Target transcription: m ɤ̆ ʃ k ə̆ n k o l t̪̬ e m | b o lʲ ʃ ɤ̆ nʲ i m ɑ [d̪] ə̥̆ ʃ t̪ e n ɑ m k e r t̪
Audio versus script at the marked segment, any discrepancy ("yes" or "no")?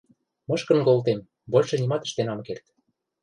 yes